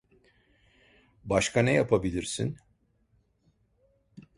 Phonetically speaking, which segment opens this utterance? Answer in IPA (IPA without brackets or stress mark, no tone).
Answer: b